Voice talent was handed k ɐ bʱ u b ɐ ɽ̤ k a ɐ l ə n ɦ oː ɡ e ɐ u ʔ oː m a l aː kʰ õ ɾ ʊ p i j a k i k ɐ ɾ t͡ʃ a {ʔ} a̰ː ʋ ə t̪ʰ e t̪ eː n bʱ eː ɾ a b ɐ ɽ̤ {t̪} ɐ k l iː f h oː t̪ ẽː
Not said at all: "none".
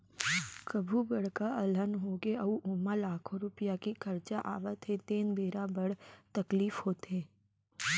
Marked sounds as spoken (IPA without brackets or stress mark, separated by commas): ʔ, t̪